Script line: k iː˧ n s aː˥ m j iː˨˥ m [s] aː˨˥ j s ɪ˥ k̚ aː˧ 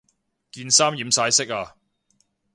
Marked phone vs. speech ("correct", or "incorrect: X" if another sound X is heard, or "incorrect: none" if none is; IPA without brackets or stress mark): correct